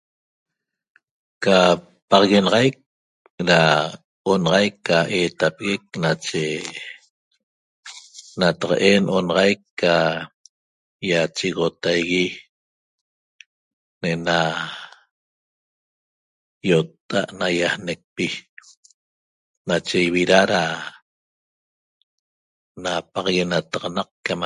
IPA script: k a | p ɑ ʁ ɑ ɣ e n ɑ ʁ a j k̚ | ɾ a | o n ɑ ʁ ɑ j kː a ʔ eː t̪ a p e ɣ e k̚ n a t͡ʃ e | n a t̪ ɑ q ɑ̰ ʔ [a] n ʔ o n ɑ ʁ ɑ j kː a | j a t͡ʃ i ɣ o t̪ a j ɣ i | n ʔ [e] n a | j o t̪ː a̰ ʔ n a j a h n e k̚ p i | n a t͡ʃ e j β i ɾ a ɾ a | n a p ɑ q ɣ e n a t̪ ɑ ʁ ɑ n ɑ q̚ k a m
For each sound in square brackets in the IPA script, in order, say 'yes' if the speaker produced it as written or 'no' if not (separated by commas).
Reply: no, yes